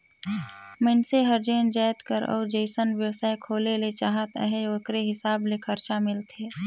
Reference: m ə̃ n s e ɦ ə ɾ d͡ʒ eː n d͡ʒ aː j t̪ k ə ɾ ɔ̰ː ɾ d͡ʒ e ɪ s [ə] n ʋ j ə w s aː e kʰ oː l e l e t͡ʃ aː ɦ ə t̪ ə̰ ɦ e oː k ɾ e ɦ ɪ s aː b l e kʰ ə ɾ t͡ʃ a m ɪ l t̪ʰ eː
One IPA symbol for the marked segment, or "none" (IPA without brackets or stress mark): ə